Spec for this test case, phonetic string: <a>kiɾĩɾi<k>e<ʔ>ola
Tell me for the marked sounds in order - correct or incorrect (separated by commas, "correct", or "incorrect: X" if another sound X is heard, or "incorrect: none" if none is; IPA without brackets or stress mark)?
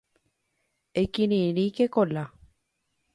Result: incorrect: e, correct, incorrect: k